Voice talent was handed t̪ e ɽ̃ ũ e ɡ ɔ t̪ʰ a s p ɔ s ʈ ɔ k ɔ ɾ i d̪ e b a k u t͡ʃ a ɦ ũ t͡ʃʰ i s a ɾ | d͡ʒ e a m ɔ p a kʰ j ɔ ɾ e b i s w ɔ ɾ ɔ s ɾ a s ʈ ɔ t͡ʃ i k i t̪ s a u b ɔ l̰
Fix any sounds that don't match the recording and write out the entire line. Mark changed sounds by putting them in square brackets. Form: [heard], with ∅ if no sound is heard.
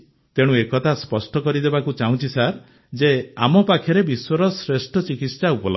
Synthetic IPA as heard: t̪ e ɽ̃ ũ e [k] ɔ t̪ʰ a s p ɔ s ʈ ɔ k ɔ ɾ i d̪ e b a k u t͡ʃ a ɦ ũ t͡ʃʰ i s a ɾ | d͡ʒ e a m ɔ p a kʰ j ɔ ɾ e b i s w ɔ ɾ ɔ s ɾ [e] s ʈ ɔ t͡ʃ i k i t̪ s a u [p] ɔ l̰